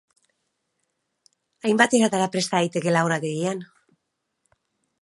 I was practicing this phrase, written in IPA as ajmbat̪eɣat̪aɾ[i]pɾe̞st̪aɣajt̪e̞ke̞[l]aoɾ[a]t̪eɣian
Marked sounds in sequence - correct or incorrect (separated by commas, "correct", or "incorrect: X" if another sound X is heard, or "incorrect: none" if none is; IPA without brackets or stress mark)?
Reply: incorrect: a, correct, correct